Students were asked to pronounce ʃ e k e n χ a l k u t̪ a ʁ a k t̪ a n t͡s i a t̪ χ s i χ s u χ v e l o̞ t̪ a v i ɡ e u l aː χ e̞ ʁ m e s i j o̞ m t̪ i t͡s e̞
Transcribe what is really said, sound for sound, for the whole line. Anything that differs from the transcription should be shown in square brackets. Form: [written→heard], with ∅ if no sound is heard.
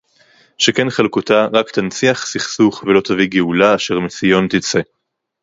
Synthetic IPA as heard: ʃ e k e n χ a l k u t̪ a ʁ a k t̪ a n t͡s i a [t̪→∅] χ s i χ s u χ v e l o̞ t̪ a v i ɡ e u l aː [χ→ʃ] e̞ ʁ m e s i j o̞ [m→n] t̪ i t͡s e̞